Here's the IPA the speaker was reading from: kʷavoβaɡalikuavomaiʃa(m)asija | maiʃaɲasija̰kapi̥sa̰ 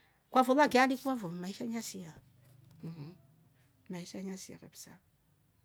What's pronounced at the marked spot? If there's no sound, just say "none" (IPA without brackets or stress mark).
ɲ